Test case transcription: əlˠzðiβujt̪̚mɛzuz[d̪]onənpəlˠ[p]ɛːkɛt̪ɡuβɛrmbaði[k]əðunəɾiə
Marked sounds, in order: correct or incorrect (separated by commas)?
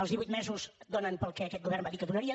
correct, incorrect, correct